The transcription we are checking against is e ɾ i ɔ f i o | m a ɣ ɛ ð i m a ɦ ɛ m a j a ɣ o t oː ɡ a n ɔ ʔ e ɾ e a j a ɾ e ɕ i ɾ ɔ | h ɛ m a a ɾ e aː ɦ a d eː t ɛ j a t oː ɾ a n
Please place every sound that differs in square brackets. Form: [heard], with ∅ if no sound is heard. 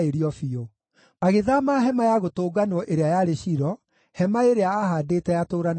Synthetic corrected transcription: e ɾ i ɔ f i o | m a ɣ [e] ð [a] m a ɦ ɛ m a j a ɣ o t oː ɡ a n ɔ ʔ e ɾ e a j a ɾ e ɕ i ɾ ɔ | h ɛ m a [e] ɾ e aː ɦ a d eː t ɛ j a t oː ɾ a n